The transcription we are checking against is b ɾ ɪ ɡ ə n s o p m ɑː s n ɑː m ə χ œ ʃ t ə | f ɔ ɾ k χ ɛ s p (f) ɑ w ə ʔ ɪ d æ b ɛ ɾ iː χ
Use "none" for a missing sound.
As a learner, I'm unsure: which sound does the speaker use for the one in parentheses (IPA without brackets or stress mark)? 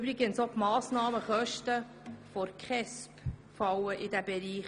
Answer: f